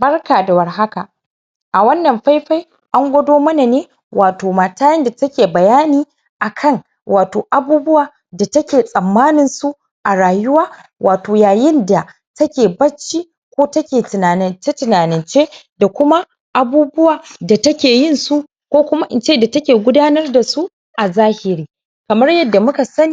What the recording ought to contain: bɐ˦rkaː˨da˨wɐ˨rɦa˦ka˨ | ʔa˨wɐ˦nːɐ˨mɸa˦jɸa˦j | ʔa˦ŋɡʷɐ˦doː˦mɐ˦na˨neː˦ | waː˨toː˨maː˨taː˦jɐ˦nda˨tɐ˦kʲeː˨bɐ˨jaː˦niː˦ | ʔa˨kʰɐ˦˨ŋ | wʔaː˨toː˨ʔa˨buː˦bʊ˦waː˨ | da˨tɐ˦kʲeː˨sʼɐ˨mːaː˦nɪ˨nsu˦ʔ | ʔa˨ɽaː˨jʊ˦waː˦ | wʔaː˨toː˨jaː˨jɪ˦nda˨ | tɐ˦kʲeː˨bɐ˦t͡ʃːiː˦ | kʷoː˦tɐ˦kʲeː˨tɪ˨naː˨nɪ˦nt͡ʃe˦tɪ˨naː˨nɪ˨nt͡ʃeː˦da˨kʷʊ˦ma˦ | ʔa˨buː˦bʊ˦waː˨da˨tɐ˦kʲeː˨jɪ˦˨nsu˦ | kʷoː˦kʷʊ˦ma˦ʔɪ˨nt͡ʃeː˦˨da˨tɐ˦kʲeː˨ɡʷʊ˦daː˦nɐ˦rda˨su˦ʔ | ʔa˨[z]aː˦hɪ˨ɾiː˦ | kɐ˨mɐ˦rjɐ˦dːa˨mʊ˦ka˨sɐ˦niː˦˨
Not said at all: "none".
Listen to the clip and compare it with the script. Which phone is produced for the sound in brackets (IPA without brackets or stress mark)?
z